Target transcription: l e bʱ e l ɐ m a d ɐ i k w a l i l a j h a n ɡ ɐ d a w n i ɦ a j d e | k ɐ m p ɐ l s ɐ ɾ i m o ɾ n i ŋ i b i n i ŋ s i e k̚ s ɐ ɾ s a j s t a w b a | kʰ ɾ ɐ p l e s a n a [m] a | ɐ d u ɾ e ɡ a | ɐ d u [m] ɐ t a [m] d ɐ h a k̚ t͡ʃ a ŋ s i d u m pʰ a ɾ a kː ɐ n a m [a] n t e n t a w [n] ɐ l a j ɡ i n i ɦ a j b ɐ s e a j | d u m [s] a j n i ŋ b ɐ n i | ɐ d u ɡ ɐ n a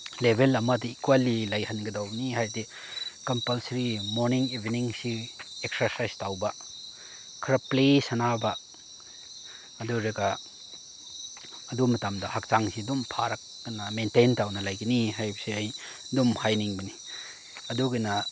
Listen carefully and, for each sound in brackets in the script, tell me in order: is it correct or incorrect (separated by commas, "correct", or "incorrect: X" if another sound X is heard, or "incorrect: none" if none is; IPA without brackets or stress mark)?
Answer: incorrect: b, correct, correct, incorrect: e, correct, incorrect: h